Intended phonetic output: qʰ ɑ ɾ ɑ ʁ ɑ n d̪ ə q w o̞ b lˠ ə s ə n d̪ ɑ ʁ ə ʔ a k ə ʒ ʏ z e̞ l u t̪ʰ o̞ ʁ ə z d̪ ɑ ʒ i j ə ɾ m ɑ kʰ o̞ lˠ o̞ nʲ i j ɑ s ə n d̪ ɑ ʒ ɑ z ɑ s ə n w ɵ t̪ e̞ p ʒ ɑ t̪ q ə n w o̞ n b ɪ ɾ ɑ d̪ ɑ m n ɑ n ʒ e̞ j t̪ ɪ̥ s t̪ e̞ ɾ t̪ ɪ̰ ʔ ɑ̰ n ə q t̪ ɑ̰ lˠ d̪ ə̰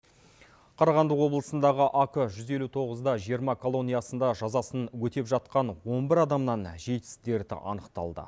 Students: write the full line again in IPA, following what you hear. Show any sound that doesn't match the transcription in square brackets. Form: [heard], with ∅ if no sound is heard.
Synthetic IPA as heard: qʰ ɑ ɾ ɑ ʁ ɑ n d̪ ə q w o̞ b lˠ ə s ə n d̪ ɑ ʁ ə ʔ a k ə ʒ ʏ z e̞ l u t̪ʰ o̞ ʁ ə z d̪ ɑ ʒ i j ə ɾ m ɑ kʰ o̞ lˠ o̞ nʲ i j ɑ s ə n d̪ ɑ ʒ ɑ z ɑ s ə n w ɵ t̪ e̞ p ʒ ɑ t̪ q [ɑ] n w o̞ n b ɪ ɾ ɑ d̪ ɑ m n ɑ n ʒ e̞ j t̪ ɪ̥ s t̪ e̞ ɾ [d̪] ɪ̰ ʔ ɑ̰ n ə q t̪ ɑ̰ lˠ d̪ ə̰